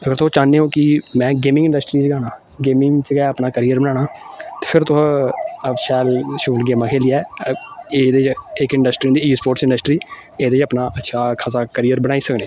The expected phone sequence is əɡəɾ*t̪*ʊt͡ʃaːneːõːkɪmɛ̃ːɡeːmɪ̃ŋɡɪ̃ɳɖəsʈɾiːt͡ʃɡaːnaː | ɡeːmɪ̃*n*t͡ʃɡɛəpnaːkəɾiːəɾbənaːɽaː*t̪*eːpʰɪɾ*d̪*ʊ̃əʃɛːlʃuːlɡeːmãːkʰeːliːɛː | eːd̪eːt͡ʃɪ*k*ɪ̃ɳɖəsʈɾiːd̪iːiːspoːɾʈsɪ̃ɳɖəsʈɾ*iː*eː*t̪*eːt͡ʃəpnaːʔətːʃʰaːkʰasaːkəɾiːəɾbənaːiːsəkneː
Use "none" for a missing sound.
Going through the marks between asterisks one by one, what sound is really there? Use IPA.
t̪, ŋ, t̪, t̪, k, iː, d̪

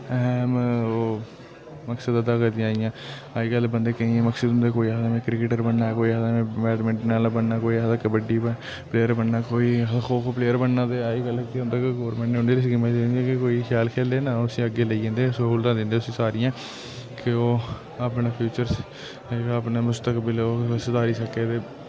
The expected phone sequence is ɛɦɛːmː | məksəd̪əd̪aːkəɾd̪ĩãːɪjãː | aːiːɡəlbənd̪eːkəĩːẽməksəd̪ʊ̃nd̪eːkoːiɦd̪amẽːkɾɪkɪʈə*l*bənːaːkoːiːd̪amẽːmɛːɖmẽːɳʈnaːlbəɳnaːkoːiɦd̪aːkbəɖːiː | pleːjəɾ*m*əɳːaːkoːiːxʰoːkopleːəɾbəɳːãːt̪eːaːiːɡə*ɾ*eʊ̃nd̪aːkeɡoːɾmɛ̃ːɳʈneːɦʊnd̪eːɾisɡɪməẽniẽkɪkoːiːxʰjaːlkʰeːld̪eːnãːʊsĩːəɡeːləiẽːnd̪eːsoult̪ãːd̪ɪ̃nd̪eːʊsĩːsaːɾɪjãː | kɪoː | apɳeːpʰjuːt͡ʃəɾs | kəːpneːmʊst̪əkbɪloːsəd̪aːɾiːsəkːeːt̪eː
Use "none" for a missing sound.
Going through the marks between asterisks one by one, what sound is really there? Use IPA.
ɾ, b, l

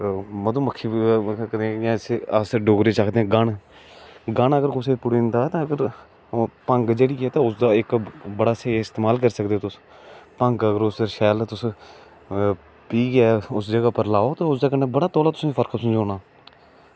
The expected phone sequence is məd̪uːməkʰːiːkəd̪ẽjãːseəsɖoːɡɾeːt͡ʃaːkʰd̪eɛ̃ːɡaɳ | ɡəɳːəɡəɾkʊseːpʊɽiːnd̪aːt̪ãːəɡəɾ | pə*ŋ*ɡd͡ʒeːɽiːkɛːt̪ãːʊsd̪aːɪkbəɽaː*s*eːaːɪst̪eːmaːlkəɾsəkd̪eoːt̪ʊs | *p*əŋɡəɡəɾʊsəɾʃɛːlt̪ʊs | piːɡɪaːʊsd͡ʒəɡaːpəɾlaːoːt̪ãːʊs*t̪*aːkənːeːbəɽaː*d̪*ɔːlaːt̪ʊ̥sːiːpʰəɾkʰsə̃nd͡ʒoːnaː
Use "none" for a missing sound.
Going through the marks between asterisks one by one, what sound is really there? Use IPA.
ŋ, s, p, d̪, t̪

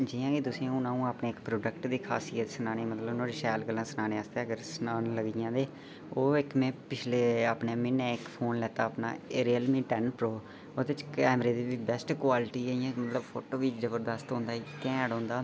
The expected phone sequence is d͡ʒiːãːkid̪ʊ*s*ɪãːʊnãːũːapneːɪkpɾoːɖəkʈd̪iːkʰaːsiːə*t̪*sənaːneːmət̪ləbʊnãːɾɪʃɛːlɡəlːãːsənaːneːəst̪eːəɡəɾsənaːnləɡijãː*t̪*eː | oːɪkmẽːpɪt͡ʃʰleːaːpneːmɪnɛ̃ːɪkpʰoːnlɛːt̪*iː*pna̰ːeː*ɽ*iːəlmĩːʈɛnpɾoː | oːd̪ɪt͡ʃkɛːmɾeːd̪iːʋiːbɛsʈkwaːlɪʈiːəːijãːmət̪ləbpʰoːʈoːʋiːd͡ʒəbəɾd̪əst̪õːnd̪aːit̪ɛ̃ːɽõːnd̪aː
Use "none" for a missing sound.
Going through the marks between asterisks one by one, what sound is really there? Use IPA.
s, t̪, d̪, aː, ɾ

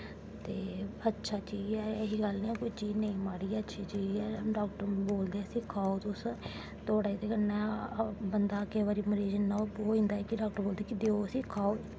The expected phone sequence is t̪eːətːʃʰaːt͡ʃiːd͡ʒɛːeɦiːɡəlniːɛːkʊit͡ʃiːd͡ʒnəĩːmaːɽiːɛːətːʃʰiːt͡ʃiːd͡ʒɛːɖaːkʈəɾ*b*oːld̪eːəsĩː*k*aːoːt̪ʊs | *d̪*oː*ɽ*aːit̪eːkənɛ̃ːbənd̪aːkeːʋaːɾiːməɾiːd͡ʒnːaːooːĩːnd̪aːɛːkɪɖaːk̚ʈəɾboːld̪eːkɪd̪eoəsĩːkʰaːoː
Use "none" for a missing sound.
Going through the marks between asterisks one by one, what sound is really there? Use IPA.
b, kʰ, t̪, ɽ

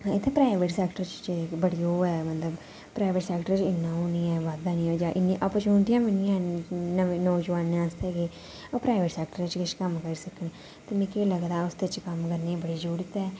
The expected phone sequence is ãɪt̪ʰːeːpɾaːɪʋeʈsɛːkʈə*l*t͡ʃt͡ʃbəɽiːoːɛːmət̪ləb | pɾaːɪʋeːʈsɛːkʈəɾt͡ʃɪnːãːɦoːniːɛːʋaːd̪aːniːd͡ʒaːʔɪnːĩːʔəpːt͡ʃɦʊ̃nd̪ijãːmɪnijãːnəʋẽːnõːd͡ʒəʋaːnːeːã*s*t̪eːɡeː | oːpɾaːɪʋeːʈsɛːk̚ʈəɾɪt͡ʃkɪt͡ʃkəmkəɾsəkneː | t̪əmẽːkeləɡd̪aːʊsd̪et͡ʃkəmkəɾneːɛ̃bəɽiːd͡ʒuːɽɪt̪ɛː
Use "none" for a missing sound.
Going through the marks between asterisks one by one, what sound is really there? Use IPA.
ɾ, s

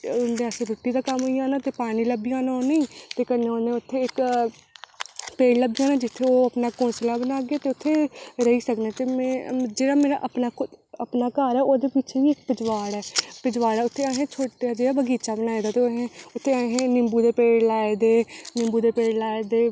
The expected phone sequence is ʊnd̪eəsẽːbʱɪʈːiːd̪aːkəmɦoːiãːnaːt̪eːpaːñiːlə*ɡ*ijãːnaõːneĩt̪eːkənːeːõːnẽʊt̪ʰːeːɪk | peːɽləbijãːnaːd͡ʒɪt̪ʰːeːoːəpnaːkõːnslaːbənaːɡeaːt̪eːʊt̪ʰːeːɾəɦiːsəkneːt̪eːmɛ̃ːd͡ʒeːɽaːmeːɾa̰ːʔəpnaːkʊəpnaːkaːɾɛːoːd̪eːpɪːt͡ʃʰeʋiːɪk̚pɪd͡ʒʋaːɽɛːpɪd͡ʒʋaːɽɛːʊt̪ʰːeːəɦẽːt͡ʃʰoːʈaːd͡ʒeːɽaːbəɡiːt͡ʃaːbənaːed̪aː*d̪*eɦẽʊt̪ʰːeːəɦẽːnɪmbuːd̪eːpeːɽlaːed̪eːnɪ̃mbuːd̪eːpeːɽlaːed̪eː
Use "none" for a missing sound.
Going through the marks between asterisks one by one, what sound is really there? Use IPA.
b, t̪

